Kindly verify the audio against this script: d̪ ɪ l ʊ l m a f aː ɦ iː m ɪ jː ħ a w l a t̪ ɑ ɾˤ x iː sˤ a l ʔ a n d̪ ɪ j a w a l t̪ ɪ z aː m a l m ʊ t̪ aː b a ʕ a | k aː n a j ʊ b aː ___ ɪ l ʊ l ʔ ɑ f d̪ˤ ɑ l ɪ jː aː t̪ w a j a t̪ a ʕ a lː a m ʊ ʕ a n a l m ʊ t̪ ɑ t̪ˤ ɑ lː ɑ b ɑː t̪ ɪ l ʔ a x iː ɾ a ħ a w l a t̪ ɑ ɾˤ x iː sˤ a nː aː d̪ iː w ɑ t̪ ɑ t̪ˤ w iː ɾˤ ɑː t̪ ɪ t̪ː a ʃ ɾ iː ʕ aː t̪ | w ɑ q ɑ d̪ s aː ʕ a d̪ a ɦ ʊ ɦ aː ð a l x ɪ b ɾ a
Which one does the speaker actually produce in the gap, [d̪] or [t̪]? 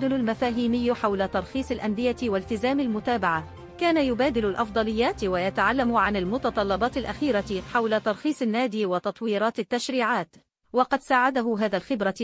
d̪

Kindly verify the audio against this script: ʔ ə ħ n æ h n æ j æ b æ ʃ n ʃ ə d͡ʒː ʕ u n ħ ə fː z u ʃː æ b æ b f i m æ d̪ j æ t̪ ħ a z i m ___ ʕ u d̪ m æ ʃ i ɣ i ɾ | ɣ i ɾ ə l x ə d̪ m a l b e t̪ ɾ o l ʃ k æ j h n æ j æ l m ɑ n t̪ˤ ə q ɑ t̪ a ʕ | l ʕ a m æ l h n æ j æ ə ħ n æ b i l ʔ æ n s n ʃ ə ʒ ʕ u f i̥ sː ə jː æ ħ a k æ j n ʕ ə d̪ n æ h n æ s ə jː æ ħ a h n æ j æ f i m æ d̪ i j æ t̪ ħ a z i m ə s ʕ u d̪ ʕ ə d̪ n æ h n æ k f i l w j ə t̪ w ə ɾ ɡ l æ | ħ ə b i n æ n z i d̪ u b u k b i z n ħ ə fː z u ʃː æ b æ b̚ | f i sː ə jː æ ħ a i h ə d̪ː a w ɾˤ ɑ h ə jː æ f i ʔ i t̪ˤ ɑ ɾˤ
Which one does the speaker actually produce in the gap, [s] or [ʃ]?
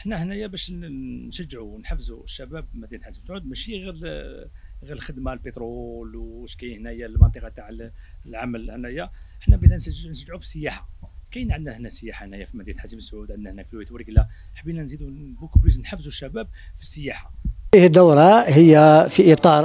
s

